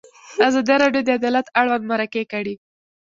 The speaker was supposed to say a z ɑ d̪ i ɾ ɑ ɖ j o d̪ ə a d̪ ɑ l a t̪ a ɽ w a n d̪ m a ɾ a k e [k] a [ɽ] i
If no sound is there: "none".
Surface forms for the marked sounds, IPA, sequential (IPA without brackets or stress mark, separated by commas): k, ɽ